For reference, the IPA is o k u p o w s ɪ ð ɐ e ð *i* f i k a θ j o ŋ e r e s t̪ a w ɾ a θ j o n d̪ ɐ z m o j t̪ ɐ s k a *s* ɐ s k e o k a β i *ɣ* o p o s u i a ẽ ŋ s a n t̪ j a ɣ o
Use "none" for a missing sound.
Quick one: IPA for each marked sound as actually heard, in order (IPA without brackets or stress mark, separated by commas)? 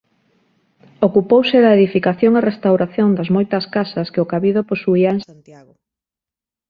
i, s, ð